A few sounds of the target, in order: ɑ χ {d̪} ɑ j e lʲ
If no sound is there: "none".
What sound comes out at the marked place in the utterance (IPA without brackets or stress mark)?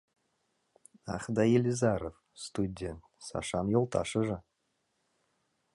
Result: d̪